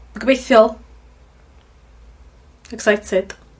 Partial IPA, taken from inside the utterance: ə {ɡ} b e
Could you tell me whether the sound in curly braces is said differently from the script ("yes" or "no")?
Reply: no